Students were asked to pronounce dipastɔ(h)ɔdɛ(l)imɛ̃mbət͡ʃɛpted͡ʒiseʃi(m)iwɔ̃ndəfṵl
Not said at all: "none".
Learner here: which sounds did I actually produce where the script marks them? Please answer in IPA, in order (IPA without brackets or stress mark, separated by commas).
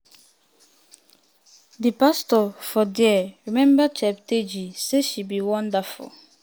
f, ɹ, b